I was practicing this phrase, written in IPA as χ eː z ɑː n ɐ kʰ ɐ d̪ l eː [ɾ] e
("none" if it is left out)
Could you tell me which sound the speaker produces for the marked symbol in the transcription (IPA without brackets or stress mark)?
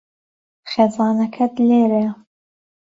ɾ